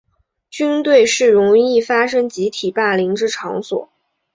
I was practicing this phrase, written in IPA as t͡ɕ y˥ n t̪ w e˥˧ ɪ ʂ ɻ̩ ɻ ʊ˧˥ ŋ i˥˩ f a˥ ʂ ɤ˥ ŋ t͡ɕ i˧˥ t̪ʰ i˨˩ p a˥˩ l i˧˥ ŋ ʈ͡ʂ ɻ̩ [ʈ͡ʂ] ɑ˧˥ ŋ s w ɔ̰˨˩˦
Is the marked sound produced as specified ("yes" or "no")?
no